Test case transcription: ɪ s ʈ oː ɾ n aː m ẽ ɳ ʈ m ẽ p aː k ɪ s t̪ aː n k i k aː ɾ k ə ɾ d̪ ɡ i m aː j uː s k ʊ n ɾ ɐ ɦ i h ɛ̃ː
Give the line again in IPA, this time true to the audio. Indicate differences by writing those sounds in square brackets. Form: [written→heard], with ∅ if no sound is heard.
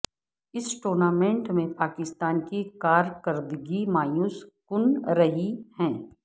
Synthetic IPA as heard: ɪ s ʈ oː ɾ n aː m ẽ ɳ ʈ m ẽ p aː k ɪ s t̪ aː n k i k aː ɾ k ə ɾ d̪ ɡ i m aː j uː s k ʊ n ɾ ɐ ɦ i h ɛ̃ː